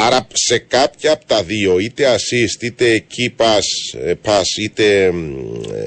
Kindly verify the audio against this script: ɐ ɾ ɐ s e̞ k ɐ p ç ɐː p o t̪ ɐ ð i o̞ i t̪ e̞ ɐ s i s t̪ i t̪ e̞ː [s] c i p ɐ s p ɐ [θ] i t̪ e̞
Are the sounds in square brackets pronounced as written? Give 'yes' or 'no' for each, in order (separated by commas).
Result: no, no